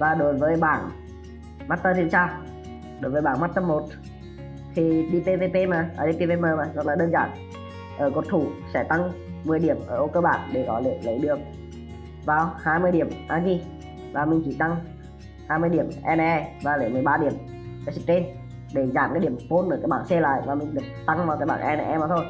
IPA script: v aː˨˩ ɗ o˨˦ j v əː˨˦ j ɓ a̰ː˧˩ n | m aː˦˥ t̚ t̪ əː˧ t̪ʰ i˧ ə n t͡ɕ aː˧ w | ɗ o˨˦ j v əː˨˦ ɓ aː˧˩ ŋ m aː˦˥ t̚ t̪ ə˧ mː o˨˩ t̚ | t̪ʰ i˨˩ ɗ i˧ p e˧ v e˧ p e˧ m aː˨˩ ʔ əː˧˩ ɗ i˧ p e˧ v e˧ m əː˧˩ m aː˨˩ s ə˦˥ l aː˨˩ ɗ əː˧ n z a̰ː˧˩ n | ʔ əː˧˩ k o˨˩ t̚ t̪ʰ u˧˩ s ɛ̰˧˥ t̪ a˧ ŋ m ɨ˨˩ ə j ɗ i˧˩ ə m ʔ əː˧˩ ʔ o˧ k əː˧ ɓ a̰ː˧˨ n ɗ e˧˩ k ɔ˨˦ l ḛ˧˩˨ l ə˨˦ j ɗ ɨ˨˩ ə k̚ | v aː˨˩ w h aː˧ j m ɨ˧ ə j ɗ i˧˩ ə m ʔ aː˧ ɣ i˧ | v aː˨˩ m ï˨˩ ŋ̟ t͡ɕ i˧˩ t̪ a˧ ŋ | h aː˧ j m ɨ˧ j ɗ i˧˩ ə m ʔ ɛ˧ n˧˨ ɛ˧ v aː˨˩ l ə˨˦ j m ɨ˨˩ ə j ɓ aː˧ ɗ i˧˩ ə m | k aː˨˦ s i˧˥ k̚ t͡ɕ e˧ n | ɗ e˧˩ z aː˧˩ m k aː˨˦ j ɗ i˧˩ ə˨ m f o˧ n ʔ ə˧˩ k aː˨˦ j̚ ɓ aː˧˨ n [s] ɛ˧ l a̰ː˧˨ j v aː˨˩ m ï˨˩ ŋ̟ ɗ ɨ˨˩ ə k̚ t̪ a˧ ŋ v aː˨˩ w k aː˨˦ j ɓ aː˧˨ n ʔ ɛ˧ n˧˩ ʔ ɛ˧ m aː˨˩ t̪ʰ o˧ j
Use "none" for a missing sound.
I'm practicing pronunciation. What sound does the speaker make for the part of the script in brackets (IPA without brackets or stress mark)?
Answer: s